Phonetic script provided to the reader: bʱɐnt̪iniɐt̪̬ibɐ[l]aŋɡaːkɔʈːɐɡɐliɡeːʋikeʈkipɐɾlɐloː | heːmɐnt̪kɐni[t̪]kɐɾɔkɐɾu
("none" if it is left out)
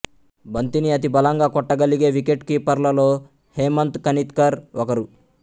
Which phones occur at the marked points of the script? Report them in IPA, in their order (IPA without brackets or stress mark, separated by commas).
l, t̪